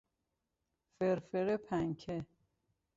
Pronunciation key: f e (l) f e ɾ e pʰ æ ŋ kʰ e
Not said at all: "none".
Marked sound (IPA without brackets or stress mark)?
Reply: ɾ